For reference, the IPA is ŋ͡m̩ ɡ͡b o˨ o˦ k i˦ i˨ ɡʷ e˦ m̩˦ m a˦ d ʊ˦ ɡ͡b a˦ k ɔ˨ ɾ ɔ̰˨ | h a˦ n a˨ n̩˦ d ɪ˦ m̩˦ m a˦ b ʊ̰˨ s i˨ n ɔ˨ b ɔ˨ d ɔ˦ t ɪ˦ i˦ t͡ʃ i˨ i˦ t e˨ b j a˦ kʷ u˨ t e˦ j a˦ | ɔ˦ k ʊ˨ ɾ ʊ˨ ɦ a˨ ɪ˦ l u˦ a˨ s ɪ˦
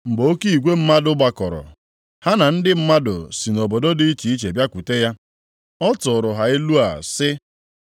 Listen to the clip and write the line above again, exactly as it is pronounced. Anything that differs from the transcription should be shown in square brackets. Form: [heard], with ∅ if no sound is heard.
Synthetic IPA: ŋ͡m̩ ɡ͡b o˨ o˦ k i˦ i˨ ɡʷ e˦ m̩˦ m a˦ d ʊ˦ ɡ͡b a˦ k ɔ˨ ɾ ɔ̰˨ | h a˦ n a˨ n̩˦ d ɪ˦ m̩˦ m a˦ [d] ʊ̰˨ s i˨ n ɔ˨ b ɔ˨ d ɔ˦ [d] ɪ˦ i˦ t͡ʃ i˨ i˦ [t͡ʃ] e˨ b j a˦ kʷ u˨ t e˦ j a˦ | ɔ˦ [t] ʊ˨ ɾ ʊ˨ ɦ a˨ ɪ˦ l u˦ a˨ s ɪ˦